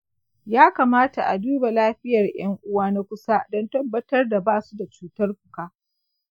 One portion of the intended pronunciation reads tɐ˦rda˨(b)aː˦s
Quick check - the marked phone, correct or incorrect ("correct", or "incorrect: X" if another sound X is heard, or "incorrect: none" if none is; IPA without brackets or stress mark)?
correct